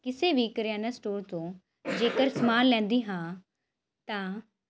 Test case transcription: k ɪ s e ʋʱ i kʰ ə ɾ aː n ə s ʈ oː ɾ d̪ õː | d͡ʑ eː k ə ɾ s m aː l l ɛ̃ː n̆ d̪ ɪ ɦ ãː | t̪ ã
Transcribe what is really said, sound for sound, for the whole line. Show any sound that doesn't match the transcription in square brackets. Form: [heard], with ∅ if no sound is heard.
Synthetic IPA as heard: k ɪ s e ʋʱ i [k] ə ɾ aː n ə s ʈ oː ɾ [t̪] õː | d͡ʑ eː k ə ɾ s m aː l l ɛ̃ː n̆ d̪ [i] ɦ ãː | t̪ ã